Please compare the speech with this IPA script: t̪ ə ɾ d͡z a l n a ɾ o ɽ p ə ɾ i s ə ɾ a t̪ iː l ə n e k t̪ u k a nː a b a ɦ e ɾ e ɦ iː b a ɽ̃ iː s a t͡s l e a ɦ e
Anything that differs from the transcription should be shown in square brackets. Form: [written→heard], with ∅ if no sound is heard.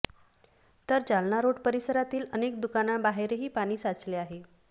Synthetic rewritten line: t̪ ə ɾ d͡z a l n a ɾ o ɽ p ə ɾ i s ə ɾ a t̪ iː l ə n e k [t̪→d̪] u k a [nː→n] a b a ɦ e ɾ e ɦ iː [b→p] a ɽ̃ iː s a t͡s l e a ɦ e